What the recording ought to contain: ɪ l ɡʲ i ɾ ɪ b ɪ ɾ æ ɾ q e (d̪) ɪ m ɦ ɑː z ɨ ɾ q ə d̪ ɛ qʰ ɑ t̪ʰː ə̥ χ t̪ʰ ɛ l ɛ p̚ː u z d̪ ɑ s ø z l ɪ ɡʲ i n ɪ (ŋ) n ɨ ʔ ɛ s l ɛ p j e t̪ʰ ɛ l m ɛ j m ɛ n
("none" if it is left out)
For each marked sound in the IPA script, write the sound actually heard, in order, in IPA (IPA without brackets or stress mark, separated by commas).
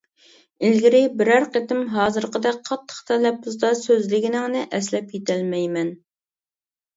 t̪, ŋ